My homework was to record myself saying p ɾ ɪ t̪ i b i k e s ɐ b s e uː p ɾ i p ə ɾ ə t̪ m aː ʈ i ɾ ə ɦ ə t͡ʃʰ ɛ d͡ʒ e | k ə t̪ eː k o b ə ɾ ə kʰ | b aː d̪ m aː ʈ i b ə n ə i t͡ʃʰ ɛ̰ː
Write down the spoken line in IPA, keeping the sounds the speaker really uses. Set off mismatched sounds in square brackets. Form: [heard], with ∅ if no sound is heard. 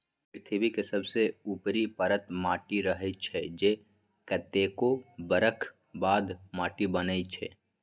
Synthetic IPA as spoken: p ɾ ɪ [t̪ʰ] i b i k e s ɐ b s e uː p ɾ i p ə ɾ ə t̪ m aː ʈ i ɾ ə ɦ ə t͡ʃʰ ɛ d͡ʒ e | k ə t̪ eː k o b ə ɾ ə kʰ | b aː d̪ m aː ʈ i b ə n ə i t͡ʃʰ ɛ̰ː